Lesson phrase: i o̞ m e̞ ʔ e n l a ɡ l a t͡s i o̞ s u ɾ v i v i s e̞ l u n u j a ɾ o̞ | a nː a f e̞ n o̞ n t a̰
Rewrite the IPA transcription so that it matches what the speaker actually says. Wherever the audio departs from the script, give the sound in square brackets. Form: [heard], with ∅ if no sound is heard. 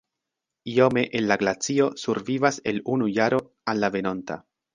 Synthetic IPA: i o̞ m e̞ ʔ e n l a ɡ l a t͡s i o̞ s u ɾ v i v [a] s e̞ l u n u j a ɾ o̞ | a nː a [v] e̞ n o̞ n t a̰